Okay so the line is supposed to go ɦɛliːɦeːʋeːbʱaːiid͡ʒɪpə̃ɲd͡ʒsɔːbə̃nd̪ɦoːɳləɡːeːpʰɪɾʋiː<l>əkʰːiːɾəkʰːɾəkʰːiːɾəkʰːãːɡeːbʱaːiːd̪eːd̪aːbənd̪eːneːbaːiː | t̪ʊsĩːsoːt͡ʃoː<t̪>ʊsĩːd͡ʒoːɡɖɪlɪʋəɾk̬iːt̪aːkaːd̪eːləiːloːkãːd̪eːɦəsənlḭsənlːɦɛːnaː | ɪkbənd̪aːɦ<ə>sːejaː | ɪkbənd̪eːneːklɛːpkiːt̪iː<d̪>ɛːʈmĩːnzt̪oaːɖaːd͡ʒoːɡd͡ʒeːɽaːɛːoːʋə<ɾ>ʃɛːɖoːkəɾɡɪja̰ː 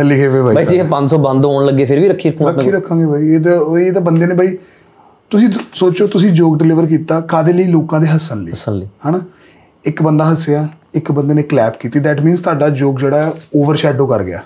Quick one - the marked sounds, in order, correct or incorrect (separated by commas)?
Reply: incorrect, correct, correct, correct, correct